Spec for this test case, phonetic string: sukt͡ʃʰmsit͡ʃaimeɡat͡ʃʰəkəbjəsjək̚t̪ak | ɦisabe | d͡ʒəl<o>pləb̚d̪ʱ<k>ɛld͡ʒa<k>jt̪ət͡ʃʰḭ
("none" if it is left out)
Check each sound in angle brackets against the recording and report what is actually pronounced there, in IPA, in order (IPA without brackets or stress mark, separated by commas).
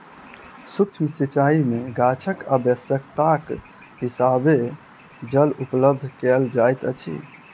u, k, none